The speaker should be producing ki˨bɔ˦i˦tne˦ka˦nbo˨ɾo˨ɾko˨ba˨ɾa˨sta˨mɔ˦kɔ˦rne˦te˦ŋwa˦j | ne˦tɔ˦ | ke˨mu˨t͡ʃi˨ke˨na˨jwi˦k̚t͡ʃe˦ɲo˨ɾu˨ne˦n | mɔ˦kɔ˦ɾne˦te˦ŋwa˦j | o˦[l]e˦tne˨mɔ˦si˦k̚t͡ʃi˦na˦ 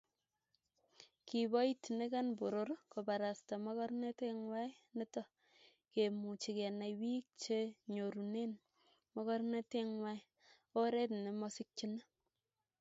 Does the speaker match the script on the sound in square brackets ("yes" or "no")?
no